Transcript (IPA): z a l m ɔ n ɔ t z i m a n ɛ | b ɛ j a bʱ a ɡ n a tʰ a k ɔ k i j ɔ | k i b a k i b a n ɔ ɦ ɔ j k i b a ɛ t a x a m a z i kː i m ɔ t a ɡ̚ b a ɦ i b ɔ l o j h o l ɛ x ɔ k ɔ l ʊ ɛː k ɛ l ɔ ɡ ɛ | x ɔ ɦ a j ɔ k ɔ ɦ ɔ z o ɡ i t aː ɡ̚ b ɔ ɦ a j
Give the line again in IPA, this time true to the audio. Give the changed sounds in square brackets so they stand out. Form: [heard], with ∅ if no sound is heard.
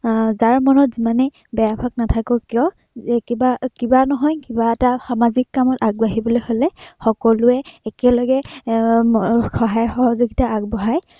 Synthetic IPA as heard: z a [ɹ] m ɔ n ɔ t z i m a n ɛ | b ɛ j a bʱ a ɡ n a tʰ a k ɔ k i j ɔ | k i b a k i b a n ɔ ɦ ɔ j k i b a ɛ t a x a m a z i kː [a] m ɔ t a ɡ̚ b a ɦ i b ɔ l o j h o l ɛ x ɔ k ɔ l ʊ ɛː k ɛ l ɔ ɡ ɛ | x ɔ ɦ a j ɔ [x] ɔ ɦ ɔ z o ɡ i t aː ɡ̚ b ɔ ɦ a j